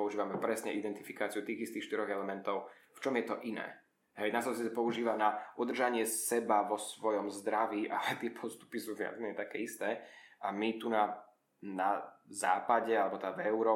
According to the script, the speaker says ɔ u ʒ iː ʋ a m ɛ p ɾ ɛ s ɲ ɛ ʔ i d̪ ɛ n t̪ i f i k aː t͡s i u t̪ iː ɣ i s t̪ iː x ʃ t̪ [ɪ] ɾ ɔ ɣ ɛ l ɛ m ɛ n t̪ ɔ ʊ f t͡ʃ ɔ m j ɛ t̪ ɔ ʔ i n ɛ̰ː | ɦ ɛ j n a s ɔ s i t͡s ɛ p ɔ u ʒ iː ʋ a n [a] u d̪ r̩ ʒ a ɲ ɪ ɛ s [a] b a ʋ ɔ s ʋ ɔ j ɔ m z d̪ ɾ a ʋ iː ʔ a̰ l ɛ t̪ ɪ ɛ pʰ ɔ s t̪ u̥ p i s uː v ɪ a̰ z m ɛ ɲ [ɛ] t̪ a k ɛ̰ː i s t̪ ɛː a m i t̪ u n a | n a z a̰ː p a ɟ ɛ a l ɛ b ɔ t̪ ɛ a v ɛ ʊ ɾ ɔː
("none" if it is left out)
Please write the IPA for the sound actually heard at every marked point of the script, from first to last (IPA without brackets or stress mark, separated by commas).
i, a, ɛ, ɛ